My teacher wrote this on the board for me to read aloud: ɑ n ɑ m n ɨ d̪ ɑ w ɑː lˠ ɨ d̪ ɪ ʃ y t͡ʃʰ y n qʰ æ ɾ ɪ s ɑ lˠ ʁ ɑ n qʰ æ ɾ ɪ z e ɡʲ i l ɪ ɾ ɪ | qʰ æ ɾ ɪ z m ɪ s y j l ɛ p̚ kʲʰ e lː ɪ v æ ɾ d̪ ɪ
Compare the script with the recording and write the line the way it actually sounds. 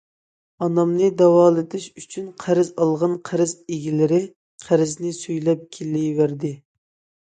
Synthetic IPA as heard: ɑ n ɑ m n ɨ d̪ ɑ w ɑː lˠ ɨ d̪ ɪ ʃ y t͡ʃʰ y n qʰ æ ɾ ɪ z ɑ lˠ ʁ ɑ n qʰ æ ɾ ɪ z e ɡʲ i l ɪ ɾ ɪ | qʰ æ ɾ ɪ z n ɪ s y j l ɛ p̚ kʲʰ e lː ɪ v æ ɾ d̪ ɪ